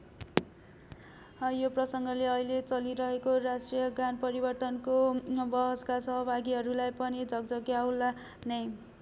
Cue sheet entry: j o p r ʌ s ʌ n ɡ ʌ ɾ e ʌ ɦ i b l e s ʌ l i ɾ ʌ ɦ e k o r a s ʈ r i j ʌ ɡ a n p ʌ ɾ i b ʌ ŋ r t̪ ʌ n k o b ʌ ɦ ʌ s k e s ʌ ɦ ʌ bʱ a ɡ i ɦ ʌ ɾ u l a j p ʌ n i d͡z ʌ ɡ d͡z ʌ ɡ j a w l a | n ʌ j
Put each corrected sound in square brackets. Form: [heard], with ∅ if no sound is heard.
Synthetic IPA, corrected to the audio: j o p r ʌ s ʌ [ŋ] ɡ ʌ [l] e ʌ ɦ i [∅] l e [t͡s] ʌ l i ɾ ʌ ɦ e k o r a s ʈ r i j ʌ ɡ a n p ʌ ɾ i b ʌ [∅] r t̪ ʌ n k o b ʌ ɦ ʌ s k [a] s ʌ ɦ ʌ bʱ a ɡ i ɦ ʌ ɾ u l a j p ʌ n i d͡z ʌ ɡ d͡z ʌ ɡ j a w l a | n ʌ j